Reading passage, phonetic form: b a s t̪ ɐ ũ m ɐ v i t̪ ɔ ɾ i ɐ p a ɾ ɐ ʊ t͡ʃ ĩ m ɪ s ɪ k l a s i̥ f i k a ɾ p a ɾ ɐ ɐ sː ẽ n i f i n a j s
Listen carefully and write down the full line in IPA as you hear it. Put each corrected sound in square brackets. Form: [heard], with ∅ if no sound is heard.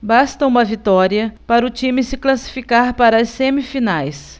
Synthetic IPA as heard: b a s t̪ ɐ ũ m ɐ v i t̪ ɔ ɾ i ɐ p a ɾ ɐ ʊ t͡ʃ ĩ m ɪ s ɪ k l a s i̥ f i k a ɾ p a ɾ ɐ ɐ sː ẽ [m] i f i n a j s